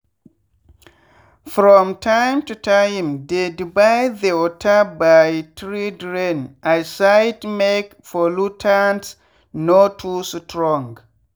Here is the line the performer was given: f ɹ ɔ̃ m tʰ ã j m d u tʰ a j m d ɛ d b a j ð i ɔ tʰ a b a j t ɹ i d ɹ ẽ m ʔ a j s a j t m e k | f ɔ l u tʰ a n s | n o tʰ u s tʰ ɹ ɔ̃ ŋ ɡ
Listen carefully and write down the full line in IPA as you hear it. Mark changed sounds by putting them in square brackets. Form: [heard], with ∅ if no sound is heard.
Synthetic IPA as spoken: f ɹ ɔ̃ m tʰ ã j m [t] u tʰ a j m d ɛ d b a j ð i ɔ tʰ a b a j t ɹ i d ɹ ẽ [n] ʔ a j s a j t m e k | f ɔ l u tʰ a n s | n o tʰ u s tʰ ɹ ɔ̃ ŋ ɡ